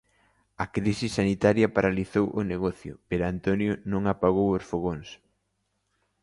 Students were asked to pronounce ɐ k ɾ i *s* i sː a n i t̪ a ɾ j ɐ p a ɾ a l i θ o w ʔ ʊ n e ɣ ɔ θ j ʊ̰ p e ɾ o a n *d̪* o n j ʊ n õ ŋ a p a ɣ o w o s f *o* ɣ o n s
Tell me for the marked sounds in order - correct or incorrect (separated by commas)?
correct, incorrect, correct